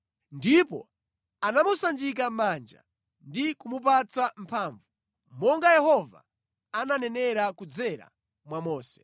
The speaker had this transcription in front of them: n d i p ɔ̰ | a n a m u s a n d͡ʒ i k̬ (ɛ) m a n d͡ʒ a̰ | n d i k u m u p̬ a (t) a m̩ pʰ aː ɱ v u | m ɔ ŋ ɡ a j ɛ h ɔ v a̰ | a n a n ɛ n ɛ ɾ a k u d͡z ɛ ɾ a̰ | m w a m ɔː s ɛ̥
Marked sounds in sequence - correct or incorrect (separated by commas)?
incorrect, incorrect